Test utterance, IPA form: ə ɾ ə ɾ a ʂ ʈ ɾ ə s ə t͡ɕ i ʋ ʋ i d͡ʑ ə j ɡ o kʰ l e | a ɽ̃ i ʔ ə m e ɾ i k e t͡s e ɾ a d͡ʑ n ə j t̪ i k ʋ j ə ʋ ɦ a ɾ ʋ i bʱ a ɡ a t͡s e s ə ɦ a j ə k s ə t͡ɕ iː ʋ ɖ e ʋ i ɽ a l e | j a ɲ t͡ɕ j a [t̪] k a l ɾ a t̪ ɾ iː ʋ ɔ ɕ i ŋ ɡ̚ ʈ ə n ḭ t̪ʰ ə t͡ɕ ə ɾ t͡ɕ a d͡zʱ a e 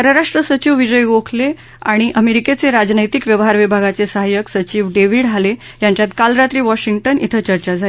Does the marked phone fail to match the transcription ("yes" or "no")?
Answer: no